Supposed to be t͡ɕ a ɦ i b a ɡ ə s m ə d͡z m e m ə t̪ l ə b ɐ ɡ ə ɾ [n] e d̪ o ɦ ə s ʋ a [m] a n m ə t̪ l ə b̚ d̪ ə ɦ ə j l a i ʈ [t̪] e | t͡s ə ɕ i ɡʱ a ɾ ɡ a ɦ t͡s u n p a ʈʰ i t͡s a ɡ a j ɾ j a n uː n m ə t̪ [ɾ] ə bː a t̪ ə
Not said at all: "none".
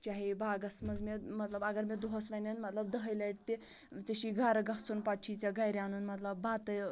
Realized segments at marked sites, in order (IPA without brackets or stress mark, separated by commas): m, n, t̪, l